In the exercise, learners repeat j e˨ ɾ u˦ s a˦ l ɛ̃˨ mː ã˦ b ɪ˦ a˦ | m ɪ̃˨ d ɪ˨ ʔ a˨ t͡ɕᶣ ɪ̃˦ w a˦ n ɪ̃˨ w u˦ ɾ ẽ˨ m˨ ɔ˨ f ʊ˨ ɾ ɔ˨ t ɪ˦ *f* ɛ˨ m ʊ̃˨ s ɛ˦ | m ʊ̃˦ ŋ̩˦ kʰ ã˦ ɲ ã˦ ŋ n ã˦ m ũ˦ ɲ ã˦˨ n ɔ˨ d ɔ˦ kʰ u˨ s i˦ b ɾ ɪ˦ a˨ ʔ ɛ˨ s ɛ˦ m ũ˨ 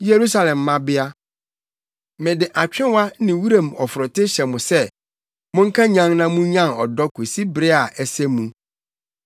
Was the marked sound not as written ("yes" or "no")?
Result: yes